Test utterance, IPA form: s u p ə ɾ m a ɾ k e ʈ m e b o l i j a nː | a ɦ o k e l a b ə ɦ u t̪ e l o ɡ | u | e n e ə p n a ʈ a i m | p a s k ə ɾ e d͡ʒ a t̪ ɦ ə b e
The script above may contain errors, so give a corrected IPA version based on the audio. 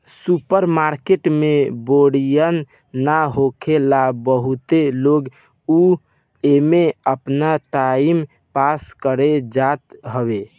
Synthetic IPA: s u p ə ɾ m a ɾ k e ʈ m e b o ɽ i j ə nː | a ɦ o kʰ e l a b ə ɦ u t̪ e l o ɡ | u | e m e ə p n a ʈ a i m | p a s k ə ɾ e d͡ʒ a t̪ ɦ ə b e